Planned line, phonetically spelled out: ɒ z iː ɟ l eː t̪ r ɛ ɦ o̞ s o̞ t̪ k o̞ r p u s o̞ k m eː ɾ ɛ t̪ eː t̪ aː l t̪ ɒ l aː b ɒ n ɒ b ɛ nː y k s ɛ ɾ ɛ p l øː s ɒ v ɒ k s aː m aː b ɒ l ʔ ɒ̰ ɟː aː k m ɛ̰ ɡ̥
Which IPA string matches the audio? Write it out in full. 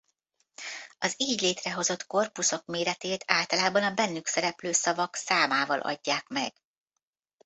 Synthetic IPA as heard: ɒ z iː ɟ l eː t̪ r ɛ ɦ o̞ z o̞ t̪ k o̞ r p u s o̞ k m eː ɾ ɛ t̪ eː t̪ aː l t̪ ɒ l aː b ɒ n ɒ b ɛ nː y k s ɛ ɾ ɛ p l øː s ɒ v ɒ k s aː m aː v ɒ l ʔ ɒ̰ ɟː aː k m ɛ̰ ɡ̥